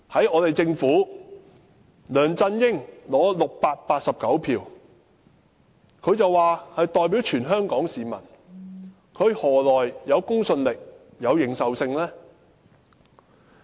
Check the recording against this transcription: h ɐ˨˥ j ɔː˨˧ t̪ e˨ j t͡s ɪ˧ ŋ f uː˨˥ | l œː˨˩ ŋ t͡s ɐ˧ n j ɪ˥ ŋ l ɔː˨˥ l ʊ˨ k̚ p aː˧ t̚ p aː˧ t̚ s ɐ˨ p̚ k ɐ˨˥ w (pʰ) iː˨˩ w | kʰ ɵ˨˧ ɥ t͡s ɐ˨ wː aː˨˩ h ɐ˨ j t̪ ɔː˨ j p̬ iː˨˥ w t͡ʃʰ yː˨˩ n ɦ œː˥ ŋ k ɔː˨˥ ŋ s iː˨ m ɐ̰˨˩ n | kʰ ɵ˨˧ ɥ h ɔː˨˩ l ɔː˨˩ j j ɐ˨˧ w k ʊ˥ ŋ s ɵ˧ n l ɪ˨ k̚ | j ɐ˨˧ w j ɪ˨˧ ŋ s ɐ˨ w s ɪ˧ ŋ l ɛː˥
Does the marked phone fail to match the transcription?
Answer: no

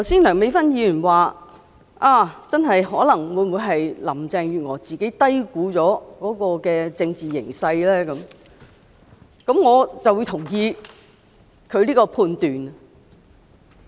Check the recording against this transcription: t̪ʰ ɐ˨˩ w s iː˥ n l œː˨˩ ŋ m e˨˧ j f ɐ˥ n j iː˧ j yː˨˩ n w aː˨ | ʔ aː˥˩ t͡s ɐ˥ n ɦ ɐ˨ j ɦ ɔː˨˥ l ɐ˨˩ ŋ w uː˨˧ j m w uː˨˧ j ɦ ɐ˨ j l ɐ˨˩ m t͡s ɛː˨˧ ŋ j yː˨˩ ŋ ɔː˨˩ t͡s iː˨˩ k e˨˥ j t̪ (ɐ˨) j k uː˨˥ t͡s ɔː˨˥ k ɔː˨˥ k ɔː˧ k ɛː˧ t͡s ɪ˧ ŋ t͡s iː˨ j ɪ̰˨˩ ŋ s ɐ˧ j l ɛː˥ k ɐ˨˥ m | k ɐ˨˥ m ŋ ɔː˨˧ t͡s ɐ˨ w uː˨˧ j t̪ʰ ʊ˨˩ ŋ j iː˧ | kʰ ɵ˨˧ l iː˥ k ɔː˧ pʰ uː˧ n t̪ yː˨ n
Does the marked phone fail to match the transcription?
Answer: yes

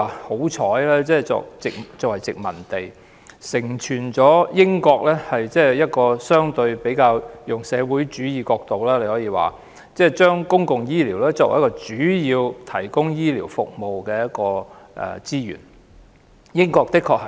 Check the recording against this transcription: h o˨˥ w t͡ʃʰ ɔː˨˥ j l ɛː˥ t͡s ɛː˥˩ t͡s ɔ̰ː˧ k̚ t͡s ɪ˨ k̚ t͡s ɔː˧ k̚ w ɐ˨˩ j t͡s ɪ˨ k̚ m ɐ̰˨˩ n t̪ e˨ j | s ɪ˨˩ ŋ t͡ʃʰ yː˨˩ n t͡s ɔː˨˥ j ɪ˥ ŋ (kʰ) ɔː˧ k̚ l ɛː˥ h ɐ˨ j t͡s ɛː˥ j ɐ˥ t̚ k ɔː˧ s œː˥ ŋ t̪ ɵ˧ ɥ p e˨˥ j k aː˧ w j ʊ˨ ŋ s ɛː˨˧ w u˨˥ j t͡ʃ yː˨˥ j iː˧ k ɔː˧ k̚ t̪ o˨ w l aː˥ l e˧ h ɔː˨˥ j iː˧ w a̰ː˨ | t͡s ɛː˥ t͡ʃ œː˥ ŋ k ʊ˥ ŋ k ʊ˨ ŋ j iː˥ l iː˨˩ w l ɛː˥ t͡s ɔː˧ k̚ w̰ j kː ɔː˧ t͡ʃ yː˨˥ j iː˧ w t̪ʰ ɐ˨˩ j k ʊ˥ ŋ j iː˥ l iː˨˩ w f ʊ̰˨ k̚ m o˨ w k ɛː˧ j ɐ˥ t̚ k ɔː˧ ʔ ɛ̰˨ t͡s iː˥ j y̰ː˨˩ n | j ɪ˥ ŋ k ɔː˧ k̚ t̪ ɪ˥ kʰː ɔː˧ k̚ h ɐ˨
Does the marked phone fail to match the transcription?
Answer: yes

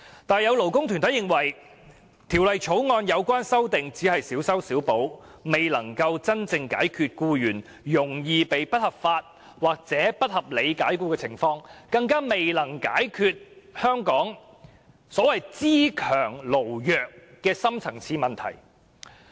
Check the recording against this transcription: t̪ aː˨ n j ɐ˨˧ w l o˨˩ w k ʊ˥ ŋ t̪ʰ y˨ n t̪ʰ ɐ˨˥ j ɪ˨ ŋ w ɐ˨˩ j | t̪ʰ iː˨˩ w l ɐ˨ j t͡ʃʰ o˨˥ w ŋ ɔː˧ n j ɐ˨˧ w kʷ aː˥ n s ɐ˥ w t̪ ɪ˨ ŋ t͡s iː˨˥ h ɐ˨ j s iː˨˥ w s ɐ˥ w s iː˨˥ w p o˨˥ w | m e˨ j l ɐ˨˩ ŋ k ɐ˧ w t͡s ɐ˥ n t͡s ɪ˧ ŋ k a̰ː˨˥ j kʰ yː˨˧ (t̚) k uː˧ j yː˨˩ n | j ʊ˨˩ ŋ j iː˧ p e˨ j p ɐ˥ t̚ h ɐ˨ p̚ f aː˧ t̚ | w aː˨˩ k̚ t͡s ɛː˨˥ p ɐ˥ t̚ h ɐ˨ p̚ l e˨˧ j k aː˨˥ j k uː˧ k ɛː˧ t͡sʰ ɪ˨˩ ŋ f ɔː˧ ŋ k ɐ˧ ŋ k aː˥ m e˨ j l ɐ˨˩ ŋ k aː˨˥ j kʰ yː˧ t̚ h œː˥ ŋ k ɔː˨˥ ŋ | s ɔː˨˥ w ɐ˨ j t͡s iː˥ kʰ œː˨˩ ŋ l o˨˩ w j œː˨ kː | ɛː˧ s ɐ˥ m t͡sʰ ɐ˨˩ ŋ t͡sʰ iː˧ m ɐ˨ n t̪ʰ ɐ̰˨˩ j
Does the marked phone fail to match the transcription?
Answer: no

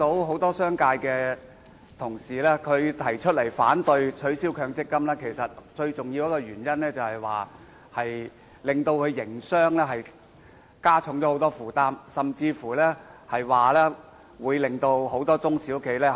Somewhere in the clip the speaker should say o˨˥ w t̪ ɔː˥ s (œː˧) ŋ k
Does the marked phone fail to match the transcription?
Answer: yes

